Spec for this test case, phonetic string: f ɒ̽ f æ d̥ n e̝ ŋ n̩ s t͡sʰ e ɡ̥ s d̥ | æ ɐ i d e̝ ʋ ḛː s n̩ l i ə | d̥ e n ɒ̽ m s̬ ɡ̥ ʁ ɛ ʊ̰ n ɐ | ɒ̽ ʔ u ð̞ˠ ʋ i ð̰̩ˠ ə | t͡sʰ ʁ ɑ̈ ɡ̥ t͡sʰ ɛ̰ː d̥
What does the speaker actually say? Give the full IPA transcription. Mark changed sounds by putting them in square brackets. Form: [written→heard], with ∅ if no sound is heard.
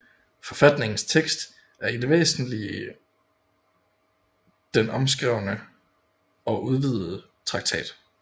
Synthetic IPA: f ɒ̽ f æ d̥ n e̝ ŋ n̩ s t͡sʰ e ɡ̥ s d̥ | æ ɐ i d e̝ ʋ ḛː s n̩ l i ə | d̥ e n ɒ̽ m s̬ ɡ̥ ʁ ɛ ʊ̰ n [ɐ→ə] | ɒ̽ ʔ u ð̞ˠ ʋ i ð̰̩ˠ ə | t͡sʰ ʁ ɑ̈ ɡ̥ t͡sʰ ɛ̰ː d̥